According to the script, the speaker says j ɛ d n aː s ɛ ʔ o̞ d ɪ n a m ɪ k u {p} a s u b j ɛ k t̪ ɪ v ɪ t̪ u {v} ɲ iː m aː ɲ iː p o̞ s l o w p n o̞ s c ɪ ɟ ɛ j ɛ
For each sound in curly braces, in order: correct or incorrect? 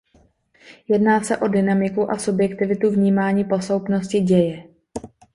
incorrect, correct

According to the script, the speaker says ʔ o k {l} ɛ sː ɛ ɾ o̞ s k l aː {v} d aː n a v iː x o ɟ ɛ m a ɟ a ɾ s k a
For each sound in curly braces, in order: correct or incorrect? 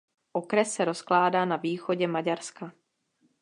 incorrect, incorrect

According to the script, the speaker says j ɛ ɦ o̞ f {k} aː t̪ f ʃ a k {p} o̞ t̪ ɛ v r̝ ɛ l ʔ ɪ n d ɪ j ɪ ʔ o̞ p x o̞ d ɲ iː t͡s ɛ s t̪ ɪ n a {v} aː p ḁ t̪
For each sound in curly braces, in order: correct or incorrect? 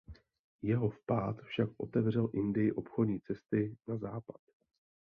incorrect, incorrect, incorrect

